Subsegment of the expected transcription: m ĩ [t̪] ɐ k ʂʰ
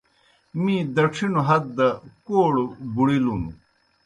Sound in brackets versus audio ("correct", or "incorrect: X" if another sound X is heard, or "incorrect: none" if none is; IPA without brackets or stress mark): incorrect: d̪